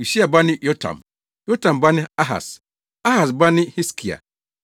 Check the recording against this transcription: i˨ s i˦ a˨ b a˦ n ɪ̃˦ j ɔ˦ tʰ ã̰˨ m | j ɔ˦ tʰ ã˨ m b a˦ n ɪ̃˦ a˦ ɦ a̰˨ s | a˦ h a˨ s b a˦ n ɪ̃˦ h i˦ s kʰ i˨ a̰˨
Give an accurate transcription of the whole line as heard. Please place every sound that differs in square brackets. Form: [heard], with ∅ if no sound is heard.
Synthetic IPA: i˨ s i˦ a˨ b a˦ n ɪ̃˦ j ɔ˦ tʰ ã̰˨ m | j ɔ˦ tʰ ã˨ m b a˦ n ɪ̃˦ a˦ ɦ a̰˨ s | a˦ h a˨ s b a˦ n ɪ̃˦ h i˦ s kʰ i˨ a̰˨